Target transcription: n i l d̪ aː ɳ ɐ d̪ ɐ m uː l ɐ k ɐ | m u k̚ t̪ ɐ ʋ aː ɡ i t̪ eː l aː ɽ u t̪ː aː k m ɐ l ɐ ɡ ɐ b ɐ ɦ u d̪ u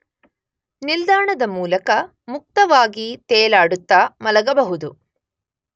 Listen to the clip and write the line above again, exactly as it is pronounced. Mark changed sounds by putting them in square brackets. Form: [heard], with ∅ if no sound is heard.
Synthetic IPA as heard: n i l d̪ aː ɳ ɐ d̪ ɐ m uː l ɐ k ɐ | m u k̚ t̪ ɐ ʋ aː ɡ i t̪ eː l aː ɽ u t̪ː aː [∅] m ɐ l ɐ ɡ ɐ b ɐ ɦ u d̪ u